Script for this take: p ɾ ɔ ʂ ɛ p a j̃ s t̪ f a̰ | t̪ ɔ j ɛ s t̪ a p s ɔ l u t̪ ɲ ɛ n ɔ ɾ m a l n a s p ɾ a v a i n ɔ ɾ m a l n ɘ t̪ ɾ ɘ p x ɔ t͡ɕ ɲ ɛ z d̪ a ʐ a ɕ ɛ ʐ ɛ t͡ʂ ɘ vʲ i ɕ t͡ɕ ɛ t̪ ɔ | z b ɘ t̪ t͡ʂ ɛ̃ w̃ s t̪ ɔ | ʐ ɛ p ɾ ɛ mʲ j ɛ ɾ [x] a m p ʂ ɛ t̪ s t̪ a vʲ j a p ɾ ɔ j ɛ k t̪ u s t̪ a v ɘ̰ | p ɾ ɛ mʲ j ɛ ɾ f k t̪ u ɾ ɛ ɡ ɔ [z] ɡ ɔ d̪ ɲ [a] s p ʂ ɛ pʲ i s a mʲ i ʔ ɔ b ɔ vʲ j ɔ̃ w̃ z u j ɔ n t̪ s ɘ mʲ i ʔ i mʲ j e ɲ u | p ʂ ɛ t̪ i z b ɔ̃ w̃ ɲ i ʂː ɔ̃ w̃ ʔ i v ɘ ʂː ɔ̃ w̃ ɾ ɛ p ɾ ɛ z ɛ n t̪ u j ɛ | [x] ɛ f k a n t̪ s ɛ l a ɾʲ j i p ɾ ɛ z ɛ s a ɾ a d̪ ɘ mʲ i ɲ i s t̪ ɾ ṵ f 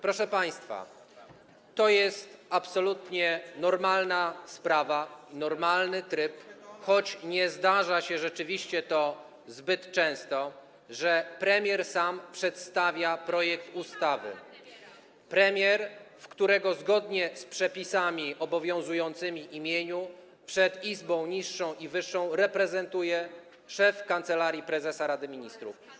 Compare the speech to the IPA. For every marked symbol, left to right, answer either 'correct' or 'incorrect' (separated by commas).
incorrect, correct, incorrect, incorrect